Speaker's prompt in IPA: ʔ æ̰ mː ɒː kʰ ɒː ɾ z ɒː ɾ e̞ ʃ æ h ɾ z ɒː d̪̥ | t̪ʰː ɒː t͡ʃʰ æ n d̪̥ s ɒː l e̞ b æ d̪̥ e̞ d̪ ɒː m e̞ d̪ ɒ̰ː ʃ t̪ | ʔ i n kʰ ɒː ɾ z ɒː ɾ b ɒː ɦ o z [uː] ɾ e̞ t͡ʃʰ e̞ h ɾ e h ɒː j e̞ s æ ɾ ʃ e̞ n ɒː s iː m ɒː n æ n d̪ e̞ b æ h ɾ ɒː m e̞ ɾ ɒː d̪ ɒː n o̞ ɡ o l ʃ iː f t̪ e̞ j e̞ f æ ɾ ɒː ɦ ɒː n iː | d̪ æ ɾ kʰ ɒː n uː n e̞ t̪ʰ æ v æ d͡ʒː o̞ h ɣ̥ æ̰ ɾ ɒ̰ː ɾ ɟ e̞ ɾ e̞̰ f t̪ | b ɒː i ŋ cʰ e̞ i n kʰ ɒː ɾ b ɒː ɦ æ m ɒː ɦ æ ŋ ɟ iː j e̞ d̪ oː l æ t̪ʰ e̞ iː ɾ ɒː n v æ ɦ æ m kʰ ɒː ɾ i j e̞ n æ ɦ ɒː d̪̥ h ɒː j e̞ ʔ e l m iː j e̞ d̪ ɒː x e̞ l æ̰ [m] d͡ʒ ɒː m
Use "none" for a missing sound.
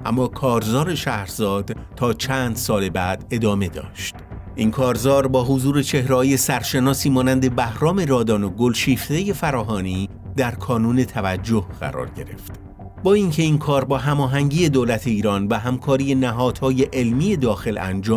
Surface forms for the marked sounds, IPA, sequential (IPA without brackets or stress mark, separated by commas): uː, n